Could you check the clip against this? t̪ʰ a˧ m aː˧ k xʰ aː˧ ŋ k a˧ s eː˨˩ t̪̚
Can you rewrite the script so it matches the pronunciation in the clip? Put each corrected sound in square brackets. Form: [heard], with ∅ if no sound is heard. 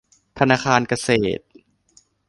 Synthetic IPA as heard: t̪ʰ a˧ [n] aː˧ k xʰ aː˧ [n] k a˧ s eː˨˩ t̪̚